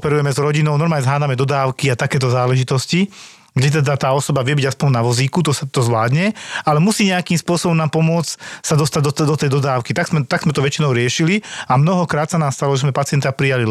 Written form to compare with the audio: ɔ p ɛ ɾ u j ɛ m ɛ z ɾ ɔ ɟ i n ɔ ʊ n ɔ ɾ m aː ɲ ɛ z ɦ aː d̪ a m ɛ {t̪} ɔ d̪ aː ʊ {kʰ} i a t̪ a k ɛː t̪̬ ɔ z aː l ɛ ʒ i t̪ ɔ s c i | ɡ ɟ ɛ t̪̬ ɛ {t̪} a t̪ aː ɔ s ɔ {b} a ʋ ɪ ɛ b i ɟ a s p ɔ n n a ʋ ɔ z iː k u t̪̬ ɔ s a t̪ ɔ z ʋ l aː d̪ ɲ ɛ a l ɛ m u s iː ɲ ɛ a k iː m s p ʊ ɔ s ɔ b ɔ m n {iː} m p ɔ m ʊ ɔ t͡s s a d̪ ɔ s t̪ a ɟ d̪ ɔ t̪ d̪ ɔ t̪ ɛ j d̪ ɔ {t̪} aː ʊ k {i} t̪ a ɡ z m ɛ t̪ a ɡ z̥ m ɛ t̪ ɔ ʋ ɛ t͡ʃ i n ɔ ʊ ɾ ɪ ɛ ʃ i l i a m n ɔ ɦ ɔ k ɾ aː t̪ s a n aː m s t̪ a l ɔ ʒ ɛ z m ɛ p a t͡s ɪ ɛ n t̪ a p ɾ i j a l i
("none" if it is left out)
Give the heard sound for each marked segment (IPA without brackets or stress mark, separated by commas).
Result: d̪, k, d̪, b, aː, d̪, i